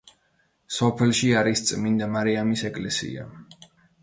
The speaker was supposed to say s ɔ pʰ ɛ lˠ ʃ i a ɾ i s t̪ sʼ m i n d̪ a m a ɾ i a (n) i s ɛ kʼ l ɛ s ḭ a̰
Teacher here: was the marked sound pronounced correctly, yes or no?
no